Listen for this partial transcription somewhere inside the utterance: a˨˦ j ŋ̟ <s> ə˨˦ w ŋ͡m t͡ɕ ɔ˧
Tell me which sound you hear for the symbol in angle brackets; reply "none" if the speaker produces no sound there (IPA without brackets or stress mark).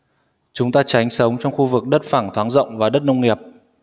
s